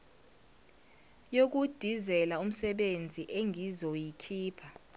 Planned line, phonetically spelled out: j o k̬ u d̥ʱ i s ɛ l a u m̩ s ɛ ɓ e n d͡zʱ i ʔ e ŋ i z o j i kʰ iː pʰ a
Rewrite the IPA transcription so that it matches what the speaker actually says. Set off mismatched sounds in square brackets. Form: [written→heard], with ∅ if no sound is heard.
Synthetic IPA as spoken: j o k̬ u d̥ʱ i [s→z] ɛ l a u m̩ s ɛ ɓ e n d͡zʱ i ʔ e ŋ i z o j i kʰ iː pʰ a